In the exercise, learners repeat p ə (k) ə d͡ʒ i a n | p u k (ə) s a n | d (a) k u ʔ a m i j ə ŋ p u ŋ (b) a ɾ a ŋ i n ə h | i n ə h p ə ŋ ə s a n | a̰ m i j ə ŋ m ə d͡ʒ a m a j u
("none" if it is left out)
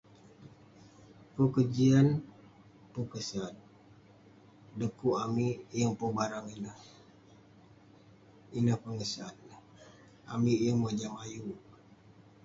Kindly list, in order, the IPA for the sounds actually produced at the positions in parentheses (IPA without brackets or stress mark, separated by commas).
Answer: k, ə, ə, b